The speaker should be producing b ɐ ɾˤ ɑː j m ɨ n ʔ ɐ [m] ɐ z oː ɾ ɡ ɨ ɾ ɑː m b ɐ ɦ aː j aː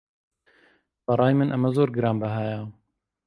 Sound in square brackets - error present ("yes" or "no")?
no